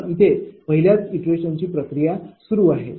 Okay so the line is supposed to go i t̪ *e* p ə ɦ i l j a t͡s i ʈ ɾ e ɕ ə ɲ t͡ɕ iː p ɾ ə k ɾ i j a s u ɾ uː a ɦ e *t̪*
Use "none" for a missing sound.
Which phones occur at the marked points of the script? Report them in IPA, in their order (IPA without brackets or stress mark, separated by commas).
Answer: e, none